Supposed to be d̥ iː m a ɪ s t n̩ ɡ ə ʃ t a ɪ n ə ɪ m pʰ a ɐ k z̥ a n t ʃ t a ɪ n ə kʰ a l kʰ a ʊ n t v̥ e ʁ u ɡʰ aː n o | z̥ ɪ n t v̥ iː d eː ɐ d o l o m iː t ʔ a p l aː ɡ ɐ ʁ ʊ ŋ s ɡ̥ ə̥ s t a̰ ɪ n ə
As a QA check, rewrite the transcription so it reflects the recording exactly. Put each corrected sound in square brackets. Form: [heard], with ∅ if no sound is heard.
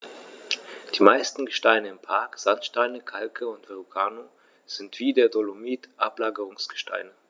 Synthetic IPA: d̥ iː m a ɪ s t n̩ ɡ ə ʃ t a ɪ n ə ɪ m pʰ a ɐ k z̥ a n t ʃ t a ɪ n ə kʰ a l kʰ [ə] ʊ n t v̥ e ʁ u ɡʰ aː n o | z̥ ɪ n t v̥ iː d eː ɐ d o l o m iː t ʔ a p l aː ɡ [ə] ʁ ʊ ŋ s ɡ̥ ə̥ [ʃ] t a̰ ɪ n ə